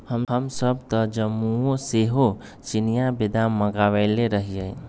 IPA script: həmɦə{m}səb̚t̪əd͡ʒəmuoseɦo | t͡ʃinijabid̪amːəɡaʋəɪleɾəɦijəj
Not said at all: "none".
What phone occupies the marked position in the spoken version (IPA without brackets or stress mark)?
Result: m